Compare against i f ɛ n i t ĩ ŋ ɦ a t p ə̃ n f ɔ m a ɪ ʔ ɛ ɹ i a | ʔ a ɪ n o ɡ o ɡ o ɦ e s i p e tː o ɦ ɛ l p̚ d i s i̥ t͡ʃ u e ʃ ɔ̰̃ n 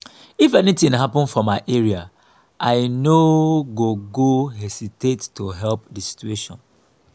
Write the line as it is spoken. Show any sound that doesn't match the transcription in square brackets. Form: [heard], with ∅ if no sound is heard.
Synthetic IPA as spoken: i f ɛ n i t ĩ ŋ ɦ a [∅] p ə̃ n f ɔ m a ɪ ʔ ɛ ɹ i a | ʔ a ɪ n o ɡ o ɡ o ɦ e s i [t] e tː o ɦ ɛ l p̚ d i s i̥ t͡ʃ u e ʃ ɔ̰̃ n